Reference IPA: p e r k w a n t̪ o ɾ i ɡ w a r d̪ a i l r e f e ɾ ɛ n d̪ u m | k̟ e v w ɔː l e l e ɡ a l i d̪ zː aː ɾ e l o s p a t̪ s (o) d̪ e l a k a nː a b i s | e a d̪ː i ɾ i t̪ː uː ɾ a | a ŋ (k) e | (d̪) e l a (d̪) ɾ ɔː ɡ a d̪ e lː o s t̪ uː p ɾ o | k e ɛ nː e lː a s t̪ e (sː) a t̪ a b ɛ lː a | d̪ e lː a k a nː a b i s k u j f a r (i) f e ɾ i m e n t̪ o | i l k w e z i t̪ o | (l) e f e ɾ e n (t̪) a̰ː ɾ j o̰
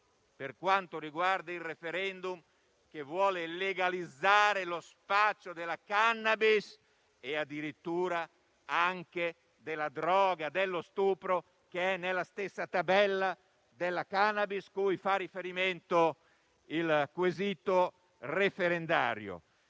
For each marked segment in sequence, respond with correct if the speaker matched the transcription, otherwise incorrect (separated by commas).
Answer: correct, correct, correct, correct, correct, correct, incorrect, incorrect